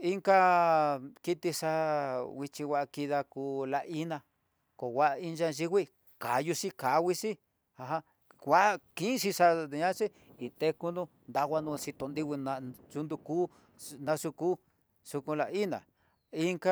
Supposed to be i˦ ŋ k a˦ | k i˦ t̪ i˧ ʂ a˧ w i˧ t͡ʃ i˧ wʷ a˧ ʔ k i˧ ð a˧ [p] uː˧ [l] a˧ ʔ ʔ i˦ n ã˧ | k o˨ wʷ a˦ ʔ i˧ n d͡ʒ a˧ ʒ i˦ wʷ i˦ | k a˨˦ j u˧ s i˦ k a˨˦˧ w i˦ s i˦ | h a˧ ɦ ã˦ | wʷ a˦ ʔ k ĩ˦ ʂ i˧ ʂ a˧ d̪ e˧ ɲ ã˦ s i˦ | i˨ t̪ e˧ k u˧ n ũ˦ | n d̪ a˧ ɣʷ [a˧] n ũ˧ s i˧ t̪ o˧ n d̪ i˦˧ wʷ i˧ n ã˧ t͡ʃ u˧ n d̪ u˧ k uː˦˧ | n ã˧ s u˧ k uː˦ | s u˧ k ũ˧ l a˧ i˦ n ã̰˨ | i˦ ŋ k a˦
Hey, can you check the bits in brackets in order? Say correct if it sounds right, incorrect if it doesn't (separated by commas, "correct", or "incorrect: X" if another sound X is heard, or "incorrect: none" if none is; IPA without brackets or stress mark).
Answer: incorrect: k, correct, correct